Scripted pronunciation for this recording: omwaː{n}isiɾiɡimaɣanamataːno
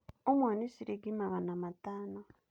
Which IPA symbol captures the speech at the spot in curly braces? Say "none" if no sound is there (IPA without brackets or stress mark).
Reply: n